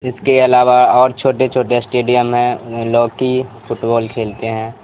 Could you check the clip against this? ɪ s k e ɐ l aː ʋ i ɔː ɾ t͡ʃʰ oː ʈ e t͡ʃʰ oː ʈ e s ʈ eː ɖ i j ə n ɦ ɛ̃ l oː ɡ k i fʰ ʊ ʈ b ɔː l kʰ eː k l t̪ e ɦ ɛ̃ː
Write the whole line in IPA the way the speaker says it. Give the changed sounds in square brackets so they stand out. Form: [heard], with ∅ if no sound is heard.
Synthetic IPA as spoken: ɪ s k e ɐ l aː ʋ [a] ɔː ɾ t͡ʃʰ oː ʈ e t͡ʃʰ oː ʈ e s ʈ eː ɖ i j ə [m] ɦ ɛ̃ l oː ɡ k i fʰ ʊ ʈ b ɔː l kʰ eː [∅] l t̪ e ɦ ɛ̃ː

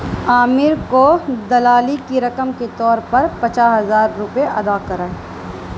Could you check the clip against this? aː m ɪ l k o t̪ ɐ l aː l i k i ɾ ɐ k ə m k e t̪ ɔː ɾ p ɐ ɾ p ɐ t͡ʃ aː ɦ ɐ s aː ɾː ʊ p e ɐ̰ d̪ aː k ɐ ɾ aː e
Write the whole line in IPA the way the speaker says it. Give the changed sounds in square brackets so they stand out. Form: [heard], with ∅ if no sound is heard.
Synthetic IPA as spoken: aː m ɪ [ɾ] k o [d̪] ɐ l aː l i k i ɾ ɐ k ə m k e t̪ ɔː ɾ p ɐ ɾ p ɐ t͡ʃ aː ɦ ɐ [z] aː ɾː ʊ p e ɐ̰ d̪ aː k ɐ ɾ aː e

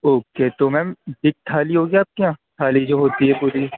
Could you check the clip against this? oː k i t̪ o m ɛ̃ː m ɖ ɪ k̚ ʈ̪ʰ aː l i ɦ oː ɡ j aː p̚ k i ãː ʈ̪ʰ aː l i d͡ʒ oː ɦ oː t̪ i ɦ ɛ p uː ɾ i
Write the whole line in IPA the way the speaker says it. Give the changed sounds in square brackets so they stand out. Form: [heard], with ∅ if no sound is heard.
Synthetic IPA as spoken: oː k [e] t̪ o m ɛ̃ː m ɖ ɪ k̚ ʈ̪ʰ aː l i ɦ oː ɡ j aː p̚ k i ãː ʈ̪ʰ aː l i d͡ʒ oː ɦ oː t̪ i ɦ ɛ p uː ɾ i

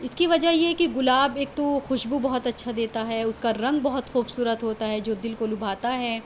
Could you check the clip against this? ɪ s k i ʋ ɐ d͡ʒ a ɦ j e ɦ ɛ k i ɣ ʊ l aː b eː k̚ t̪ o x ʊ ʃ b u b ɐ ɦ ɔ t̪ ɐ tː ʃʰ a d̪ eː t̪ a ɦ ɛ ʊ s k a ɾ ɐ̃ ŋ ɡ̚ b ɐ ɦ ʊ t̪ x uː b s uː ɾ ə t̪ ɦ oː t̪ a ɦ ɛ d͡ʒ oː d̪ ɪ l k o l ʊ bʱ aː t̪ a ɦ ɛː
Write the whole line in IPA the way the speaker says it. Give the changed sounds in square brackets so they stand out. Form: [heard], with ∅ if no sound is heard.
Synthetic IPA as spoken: ɪ s k i ʋ ɐ d͡ʒ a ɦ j e ɦ ɛ k i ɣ ʊ l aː b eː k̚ t̪ o x ʊ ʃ b u b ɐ ɦ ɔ t̪ ɐ tː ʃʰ a d̪ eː t̪ a ɦ ɛ ʊ s k a ɾ ɐ̃ ŋ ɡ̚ b ɐ ɦ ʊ t̪ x uː b s uː ɾ ə t̪ ɦ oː t̪ a ɦ ɛ d͡ʒ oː d̪ ɪ l k o l ʊ bʱ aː t̪ a ɦ ɛː

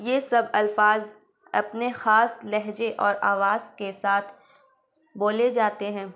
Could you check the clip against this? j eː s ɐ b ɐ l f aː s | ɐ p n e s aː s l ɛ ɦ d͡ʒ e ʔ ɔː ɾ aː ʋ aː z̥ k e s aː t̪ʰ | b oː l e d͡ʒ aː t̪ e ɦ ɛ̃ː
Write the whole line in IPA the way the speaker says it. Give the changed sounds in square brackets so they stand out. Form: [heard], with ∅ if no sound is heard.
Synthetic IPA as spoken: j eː s ɐ b ɐ l f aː [z] | ɐ p n e [x] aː s l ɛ ɦ d͡ʒ e ʔ ɔː ɾ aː ʋ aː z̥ k e s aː t̪ʰ | b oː l e d͡ʒ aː t̪ e ɦ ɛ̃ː

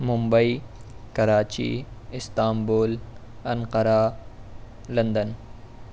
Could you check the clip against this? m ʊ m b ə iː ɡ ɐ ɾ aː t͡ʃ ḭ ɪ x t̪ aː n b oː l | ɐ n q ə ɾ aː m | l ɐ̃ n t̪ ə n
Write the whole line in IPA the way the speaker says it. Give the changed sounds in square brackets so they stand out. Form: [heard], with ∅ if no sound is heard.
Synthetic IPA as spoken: m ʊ m b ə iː [k] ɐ ɾ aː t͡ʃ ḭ ɪ [s] t̪ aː [m] b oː l | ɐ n q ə ɾ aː [∅] | l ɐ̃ n [d̪] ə n

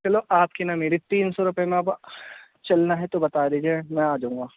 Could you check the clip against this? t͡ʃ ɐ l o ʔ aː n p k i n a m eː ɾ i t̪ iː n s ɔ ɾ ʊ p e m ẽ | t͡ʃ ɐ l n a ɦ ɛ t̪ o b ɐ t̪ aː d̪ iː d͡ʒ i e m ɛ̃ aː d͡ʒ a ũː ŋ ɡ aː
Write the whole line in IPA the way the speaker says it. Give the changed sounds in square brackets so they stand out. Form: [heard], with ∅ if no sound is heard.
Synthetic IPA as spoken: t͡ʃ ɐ l o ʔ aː [∅] p k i n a m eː ɾ i t̪ iː n s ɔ ɾ ʊ p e m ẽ | t͡ʃ ɐ l n a ɦ ɛ t̪ o b ɐ t̪ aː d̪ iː d͡ʒ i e m ɛ̃ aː d͡ʒ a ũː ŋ ɡ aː

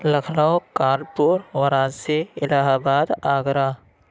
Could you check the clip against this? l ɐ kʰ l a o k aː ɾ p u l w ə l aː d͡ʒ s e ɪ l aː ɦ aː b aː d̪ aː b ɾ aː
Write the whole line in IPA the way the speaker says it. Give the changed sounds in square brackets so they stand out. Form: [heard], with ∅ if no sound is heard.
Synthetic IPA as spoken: l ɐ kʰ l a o k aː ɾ p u [ɾ] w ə [ɾ] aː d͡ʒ s e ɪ l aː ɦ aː b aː d̪ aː [ɡ] ɾ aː

